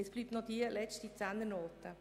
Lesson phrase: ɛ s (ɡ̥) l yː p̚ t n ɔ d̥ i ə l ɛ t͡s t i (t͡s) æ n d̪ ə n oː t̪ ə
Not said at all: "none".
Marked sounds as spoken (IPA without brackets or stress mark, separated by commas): b̥, t͡s